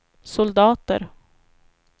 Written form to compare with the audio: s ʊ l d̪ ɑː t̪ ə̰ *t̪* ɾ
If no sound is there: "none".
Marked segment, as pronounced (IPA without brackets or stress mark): none